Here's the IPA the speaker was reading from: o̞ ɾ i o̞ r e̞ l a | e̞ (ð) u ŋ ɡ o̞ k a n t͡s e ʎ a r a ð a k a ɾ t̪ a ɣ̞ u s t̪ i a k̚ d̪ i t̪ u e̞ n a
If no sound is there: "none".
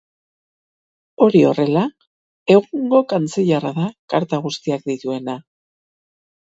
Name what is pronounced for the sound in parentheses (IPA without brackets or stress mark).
ɣ